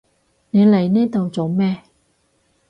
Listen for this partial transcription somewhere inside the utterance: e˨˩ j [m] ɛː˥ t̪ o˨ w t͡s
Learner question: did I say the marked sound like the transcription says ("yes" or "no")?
no